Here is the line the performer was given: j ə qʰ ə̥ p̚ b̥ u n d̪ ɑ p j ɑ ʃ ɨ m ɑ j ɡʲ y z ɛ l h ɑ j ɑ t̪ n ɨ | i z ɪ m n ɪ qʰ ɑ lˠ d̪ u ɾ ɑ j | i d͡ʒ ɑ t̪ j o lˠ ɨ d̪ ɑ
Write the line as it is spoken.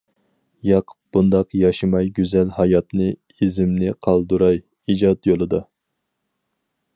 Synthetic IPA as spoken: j ɑ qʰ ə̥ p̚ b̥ u n d̪ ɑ q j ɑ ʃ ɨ m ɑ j ɡʲ y z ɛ l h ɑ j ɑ t̪ n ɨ | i z ɪ m n ɪ qʰ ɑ lˠ d̪ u ɾ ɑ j | i d͡ʒ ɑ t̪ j o lˠ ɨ d̪ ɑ

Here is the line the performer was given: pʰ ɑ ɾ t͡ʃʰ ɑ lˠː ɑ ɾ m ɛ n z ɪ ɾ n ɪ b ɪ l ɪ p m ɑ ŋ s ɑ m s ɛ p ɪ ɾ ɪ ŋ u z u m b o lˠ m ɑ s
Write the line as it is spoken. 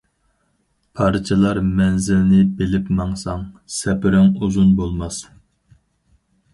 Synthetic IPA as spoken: pʰ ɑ ɾ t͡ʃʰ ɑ lˠ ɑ ɾ m ɛ n z ɪ l n ɪ b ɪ l ɪ p m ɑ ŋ s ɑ ŋ s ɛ p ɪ ɾ ɪ ŋ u z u n b o lˠ m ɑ s

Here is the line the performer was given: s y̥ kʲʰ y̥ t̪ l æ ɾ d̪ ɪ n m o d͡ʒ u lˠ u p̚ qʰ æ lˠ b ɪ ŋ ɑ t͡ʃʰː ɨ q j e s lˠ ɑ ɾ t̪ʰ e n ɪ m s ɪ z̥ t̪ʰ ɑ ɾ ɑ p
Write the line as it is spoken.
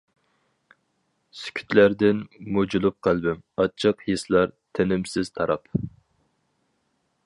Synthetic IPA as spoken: s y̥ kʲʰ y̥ t̪ l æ ɾ d̪ ɪ n m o d͡ʒ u lˠ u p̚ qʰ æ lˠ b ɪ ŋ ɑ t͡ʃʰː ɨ q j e s lˠ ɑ ɾ t̪ʰ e n ɪ m s ɪ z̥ t̪ʰ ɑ ɾ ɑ p

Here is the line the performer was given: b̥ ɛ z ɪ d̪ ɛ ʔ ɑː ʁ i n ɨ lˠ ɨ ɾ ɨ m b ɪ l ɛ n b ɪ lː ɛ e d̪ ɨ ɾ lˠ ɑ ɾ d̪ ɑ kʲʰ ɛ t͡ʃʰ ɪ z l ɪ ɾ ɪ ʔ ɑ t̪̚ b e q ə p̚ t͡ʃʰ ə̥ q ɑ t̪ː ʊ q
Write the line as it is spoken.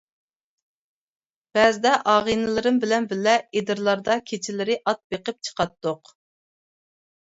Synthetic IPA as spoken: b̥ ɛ z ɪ d̪ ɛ ʔ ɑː ʁ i n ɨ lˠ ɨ ɾ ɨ m b ɪ l ɛ n b ɪ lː ɛ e d̪ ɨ ɾ lˠ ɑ ɾ d̪ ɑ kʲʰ e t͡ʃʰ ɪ l ɪ ɾ ɪ ʔ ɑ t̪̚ b e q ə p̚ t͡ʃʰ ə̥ q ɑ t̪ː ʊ q

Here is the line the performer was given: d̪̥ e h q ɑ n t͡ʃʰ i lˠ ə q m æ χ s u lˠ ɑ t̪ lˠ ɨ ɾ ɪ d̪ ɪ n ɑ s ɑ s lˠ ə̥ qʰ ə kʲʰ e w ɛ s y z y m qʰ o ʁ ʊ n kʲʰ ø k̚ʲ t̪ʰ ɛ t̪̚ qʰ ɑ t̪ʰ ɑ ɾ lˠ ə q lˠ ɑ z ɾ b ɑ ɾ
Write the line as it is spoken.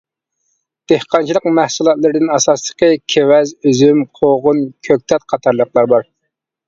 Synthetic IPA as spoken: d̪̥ e h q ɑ n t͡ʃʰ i lˠ ə q m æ h s u lˠ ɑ t̪ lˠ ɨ ɾ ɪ d̪ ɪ n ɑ s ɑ s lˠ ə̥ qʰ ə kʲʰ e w ɛ z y z y m qʰ o ʁ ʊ n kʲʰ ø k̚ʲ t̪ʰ ɛ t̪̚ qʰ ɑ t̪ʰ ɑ ɾ lˠ ə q lˠ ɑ ɾ b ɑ ɾ

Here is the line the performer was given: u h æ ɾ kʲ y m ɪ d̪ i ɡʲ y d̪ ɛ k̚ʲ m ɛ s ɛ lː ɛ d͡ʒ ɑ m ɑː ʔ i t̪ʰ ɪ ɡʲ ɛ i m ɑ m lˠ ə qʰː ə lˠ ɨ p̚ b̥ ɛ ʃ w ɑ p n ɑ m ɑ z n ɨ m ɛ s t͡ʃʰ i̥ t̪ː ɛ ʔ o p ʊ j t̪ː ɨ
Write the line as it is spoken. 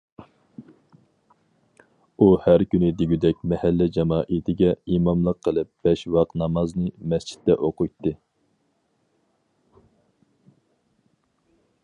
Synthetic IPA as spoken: u h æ ɾ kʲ y n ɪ d̪ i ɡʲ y d̪ ɛ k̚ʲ m ɛ h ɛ lː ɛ d͡ʒ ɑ m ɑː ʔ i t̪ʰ ɪ ɡʲ ɛ i m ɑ m lˠ ə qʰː ə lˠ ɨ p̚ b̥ ɛ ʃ w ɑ q n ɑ m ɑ z n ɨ m ɛ s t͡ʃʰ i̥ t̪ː ɛ ʔ o q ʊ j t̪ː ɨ

